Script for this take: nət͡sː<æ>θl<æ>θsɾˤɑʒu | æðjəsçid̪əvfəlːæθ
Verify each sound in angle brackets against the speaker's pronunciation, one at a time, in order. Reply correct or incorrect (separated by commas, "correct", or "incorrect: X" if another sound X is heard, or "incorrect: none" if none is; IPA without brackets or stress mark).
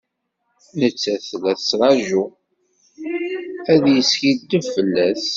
correct, correct